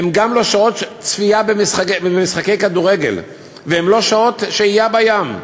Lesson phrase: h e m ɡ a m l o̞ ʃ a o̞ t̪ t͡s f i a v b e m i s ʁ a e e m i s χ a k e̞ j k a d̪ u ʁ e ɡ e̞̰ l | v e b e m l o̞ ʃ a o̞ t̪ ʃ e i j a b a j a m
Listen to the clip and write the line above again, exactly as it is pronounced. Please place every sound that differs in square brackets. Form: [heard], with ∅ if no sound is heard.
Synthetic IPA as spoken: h e m ɡ a m l o̞ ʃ a o̞ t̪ t͡s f i a [∅] b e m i s [χ] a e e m i s χ a k e̞ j k a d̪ u ʁ e ɡ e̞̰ l | v e [∅] e m l o̞ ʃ a o̞ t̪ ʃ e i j a b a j a m